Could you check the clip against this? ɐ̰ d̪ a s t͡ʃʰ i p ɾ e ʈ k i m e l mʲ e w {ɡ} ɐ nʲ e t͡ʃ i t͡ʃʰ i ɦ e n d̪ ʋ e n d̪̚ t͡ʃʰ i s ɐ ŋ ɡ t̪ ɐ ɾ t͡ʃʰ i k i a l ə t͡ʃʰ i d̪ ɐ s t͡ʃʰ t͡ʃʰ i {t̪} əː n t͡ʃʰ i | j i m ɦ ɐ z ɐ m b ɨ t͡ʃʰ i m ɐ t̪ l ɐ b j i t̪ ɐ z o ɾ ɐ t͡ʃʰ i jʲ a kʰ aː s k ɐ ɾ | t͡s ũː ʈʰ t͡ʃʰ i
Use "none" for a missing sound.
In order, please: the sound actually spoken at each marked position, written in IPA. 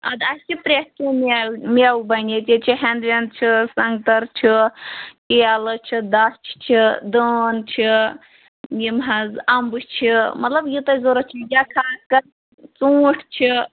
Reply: b, d̪

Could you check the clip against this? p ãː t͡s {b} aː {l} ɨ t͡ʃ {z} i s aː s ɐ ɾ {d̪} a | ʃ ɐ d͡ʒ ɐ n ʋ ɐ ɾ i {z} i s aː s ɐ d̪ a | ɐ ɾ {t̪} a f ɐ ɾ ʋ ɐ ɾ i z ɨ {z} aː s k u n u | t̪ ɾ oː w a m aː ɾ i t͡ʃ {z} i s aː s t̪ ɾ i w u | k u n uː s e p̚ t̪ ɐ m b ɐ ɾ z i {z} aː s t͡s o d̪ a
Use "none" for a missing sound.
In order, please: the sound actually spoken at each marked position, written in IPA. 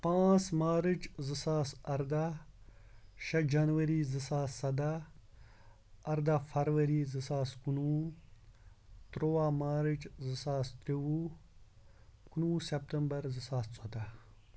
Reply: m, ɾ, z, d̪, z, d̪, s, z, s

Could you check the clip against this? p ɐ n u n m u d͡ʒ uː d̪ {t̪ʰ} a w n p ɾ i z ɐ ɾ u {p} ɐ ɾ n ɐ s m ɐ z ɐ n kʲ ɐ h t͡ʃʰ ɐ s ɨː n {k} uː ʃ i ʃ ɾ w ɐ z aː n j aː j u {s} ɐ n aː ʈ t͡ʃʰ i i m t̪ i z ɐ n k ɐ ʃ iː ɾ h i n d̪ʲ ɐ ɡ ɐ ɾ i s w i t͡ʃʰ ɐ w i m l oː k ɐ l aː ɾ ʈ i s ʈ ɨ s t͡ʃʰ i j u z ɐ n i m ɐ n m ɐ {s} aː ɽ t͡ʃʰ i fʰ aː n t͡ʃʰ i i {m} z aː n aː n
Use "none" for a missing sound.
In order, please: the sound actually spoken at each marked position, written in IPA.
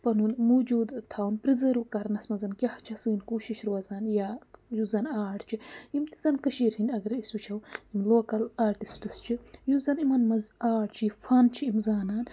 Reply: t̪ʰ, k, k, z, z, m

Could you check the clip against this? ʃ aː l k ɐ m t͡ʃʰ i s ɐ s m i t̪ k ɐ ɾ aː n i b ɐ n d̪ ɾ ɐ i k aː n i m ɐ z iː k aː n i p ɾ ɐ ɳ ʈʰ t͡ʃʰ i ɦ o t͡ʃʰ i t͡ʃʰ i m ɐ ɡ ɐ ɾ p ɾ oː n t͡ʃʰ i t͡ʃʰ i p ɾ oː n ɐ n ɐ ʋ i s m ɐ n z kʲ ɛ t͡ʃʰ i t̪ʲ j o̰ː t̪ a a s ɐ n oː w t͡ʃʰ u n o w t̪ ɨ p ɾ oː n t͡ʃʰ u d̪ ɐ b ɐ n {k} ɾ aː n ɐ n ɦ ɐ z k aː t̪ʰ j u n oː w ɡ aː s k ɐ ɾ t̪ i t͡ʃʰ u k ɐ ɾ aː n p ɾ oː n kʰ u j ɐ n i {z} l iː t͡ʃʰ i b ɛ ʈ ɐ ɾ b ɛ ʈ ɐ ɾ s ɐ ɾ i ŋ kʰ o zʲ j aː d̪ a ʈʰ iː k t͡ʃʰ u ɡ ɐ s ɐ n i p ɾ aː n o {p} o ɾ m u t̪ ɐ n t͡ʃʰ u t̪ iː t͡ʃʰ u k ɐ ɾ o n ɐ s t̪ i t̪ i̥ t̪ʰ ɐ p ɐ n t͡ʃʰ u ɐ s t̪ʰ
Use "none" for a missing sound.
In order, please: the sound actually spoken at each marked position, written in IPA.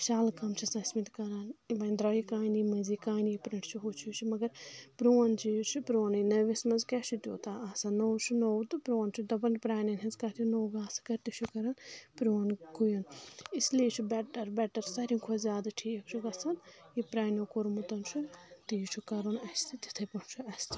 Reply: p, s, k

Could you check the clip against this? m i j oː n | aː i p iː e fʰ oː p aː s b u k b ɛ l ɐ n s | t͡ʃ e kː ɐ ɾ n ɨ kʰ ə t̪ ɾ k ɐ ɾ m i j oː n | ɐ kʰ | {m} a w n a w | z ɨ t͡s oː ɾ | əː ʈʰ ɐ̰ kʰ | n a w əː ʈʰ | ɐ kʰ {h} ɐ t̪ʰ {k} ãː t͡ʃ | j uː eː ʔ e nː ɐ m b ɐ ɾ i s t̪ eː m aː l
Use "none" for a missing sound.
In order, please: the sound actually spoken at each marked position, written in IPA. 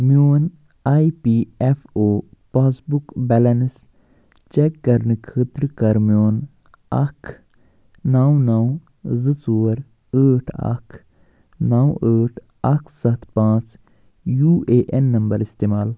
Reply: n, s, p

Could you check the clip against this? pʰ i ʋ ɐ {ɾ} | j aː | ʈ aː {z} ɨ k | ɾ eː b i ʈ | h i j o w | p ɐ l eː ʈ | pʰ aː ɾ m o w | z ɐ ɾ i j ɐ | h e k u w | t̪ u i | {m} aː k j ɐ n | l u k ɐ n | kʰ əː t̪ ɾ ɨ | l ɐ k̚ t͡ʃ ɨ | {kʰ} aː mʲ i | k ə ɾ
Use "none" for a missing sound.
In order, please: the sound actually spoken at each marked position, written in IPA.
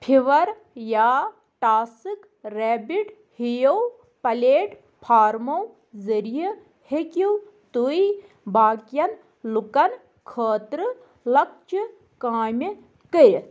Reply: ɾ, s, b, k

